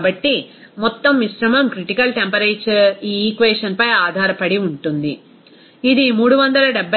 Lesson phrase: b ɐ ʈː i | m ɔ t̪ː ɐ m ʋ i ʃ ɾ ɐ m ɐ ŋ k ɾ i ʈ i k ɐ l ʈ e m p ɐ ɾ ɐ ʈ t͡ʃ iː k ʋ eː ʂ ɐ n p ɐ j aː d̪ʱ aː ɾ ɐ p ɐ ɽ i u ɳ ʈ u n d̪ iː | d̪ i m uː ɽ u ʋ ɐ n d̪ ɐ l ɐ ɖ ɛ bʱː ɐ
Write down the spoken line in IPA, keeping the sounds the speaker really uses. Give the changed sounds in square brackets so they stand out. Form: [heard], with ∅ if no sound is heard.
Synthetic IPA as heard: b ɐ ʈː i | m ɔ t̪ː ɐ m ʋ i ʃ ɾ ɐ m ɐ [m] k ɾ i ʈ i k ɐ l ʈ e m p ɐ ɾ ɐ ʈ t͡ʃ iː k ʋ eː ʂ ɐ n p ɐ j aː d̪ʱ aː ɾ ɐ p ɐ ɽ i u ɳ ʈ u n d̪ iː | d̪ i m uː ɽ u ʋ ɐ n d̪ ɐ l ɐ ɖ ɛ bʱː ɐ